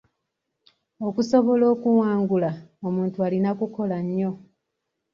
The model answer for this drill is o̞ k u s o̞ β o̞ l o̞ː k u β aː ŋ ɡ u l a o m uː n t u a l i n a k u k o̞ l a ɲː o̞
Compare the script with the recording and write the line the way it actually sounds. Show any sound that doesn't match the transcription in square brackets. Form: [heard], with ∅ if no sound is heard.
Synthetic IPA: o̞ k u s o̞ β o̞ l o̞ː k u [w] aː ŋ ɡ u l a o m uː n t u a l i n a k u k o̞ l a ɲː o̞